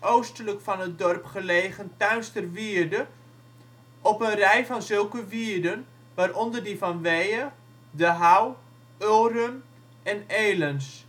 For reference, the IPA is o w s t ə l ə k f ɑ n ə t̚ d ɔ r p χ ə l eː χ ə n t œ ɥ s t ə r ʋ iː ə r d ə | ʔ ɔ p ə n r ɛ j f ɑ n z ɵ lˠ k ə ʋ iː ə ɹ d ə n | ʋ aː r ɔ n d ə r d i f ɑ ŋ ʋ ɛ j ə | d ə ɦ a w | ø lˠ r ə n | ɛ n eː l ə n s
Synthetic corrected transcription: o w s t ə l ə k f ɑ n ə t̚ d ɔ r p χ ə l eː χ ə n t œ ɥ s t ə r ʋ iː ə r d ə | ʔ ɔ p ə n r ɛ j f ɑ n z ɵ lˠ k ə ʋ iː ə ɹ d ə n | ʋ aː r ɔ n d ə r d i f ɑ n ʋ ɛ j ə | d ə ɦ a w | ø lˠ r ə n | ɛ n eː l ə n s